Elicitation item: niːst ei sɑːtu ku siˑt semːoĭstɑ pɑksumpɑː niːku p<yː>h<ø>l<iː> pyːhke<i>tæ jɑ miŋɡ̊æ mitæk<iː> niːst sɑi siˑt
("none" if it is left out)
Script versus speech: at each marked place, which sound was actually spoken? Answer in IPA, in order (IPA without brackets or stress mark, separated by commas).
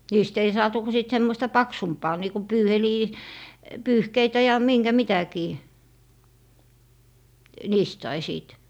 yː, e, iː, i, iː